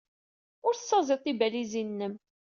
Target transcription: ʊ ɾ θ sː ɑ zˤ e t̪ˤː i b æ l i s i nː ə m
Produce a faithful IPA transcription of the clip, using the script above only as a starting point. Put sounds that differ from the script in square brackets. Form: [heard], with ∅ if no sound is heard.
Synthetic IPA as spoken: ʊ ɾ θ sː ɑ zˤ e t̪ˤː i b æ l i [z] i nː ə m